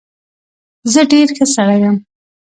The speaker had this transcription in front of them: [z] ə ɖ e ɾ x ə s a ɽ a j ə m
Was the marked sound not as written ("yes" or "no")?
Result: no